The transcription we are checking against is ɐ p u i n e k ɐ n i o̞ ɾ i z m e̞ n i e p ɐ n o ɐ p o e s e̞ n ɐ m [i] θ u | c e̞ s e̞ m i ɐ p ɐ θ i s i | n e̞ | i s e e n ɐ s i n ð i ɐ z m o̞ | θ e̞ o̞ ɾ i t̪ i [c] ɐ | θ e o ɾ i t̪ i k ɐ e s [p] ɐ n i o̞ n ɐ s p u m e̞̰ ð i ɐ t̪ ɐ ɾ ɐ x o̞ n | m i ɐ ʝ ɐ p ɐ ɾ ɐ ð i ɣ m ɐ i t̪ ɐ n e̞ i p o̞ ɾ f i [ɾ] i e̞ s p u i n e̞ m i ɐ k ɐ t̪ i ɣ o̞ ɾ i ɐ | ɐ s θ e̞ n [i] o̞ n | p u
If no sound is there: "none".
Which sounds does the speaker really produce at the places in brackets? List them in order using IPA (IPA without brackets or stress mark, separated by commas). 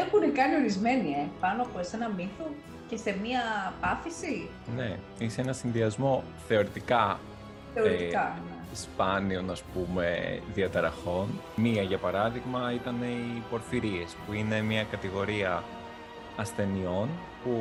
i, k, p, ɾ, i